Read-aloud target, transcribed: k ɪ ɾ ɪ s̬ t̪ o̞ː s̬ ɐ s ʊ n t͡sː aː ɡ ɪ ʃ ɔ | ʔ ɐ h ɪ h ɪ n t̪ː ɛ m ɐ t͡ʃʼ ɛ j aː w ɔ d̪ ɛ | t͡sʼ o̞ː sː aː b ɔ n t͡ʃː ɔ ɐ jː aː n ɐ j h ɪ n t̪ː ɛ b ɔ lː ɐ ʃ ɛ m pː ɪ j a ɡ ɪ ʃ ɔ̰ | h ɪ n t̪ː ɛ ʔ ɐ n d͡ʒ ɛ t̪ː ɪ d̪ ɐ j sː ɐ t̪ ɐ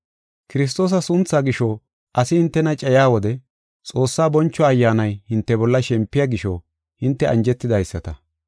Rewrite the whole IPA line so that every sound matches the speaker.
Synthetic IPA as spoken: k ɪ ɾ ɪ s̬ t̪ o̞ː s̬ ɐ s ʊ n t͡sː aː ɡ ɪ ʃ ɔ | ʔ ɐ s ɪ h ɪ n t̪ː ɛ n ɐ t͡ʃʼ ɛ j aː w ɔ d̪ ɛ | t͡sʼ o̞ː sː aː b ɔ n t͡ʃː ɔ ɐ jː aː n ɐ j h ɪ n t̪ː ɛ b ɔ lː ɐ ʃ ɛ m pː ɪ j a ɡ ɪ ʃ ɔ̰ | h ɪ n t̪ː ɛ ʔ ɐ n d͡ʒ ɛ t̪ː ɪ d̪ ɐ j sː ɐ t̪ ɐ